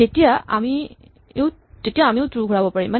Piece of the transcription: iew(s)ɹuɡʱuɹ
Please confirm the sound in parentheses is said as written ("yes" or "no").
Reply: no